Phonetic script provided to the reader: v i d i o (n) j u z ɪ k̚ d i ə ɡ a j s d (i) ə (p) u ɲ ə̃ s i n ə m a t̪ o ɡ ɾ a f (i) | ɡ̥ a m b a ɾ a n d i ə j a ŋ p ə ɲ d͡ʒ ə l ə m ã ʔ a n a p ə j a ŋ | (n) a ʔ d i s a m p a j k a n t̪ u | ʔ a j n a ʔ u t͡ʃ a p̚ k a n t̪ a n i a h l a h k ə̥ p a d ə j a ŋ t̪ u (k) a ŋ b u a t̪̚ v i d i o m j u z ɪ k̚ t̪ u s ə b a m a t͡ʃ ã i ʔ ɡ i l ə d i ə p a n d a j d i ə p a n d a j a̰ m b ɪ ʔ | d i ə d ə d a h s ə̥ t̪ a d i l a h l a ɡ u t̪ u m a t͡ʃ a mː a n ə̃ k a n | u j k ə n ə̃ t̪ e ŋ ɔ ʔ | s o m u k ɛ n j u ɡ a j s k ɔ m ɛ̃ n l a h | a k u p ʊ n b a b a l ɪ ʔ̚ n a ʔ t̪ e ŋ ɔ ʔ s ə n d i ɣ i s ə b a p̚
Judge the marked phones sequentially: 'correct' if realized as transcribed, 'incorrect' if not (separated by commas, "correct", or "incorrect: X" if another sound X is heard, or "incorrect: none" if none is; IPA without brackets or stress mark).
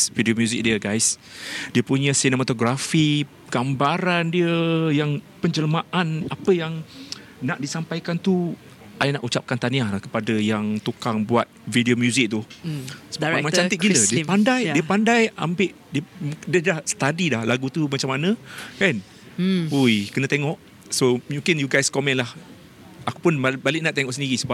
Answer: incorrect: m, correct, correct, correct, correct, correct